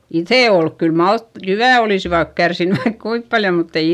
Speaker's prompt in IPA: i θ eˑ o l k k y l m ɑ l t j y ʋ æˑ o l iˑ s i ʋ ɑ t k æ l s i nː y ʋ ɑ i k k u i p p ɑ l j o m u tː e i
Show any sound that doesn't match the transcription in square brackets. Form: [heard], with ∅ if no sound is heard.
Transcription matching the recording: i θ eˑ o l k k y l m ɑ l t j y ʋ æˑ o l iˑ s i ʋ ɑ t k æ [r] s i nː y ʋ ɑ i k k u i p p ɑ l j o m u tː e i